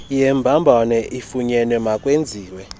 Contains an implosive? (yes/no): no